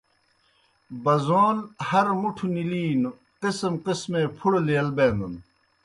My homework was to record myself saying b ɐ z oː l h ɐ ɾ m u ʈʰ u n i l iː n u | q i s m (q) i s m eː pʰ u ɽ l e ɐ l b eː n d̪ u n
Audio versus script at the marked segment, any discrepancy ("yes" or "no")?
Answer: no